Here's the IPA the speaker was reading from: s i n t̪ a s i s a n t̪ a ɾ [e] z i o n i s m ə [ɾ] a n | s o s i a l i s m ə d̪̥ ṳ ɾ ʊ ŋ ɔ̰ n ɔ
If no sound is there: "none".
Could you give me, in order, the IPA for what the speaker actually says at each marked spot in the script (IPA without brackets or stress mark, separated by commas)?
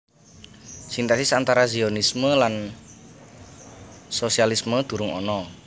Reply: a, l